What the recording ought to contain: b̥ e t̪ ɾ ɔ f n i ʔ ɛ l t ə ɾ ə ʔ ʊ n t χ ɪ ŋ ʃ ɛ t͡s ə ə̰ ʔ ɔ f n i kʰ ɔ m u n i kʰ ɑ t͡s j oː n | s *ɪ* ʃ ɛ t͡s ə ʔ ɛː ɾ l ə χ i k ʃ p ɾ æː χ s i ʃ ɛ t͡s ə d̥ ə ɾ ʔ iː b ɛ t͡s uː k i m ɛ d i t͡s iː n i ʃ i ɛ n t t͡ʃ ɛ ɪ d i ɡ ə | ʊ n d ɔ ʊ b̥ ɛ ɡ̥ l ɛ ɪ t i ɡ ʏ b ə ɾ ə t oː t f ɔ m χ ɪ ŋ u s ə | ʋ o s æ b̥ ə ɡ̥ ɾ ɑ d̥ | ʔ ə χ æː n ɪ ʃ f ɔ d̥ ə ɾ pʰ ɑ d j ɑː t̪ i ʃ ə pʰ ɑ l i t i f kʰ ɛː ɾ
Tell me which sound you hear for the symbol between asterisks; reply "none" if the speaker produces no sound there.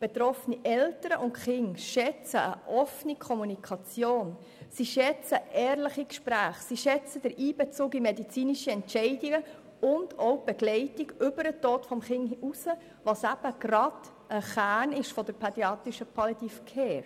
i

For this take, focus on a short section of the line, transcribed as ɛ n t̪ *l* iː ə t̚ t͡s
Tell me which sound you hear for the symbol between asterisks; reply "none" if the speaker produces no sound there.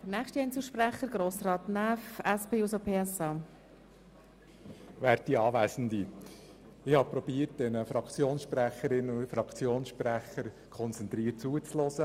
ɾ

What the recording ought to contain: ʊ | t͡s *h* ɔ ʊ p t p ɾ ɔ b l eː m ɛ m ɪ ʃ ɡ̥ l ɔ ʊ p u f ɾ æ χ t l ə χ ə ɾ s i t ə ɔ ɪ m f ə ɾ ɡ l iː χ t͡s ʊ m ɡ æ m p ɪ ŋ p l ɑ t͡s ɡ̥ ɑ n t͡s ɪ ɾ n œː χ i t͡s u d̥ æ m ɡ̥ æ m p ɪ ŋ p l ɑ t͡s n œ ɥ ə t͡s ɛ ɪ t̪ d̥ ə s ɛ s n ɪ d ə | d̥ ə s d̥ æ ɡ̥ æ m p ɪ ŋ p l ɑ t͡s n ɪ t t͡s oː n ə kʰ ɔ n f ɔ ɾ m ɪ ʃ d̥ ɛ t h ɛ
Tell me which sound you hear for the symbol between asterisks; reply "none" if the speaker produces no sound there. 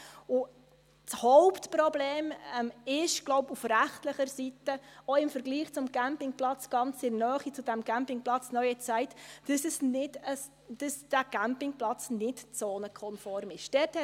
h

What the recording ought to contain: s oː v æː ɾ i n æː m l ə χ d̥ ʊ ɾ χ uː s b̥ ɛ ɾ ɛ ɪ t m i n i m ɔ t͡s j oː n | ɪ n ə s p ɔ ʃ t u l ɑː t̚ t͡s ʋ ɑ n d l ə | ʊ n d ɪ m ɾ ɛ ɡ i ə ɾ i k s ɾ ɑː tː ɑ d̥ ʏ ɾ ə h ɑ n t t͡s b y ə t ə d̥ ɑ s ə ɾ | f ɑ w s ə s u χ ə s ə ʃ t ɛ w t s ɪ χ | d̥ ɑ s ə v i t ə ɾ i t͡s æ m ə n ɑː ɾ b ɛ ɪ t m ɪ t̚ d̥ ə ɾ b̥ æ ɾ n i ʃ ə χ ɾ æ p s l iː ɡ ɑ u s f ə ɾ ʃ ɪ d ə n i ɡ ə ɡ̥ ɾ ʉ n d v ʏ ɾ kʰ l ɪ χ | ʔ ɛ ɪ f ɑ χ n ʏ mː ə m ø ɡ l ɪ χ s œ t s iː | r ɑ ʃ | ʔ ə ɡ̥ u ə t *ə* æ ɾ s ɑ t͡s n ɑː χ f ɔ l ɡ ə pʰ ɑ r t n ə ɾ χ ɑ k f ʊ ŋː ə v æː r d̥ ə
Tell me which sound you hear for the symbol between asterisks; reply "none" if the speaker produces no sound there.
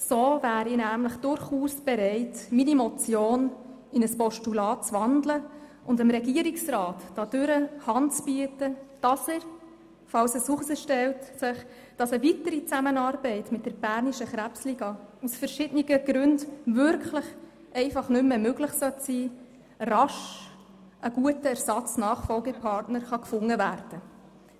ə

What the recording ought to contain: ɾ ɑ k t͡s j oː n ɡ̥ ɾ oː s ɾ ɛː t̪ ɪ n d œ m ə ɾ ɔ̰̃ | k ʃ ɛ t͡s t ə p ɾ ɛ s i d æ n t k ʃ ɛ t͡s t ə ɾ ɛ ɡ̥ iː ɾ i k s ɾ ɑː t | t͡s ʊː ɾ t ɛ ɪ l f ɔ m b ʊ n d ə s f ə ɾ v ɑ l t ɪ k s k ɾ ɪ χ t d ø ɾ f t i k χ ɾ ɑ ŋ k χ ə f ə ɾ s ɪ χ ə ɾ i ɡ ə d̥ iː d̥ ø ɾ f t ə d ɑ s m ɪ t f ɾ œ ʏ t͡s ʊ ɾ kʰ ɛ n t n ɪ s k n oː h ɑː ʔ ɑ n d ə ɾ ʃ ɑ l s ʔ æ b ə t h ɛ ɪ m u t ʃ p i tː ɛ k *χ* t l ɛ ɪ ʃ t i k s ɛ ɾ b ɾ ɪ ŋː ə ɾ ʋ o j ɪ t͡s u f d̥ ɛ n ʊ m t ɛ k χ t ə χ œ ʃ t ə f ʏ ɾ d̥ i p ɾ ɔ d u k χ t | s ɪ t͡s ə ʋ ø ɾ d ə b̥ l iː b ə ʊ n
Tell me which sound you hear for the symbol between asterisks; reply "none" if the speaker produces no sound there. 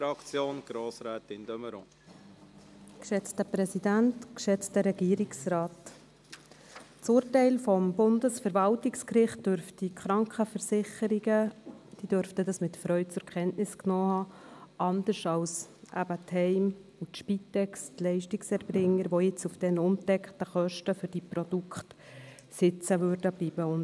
s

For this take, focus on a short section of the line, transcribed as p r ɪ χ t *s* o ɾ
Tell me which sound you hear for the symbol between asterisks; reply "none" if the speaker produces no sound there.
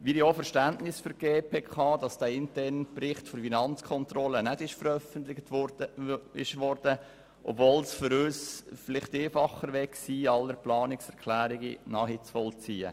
f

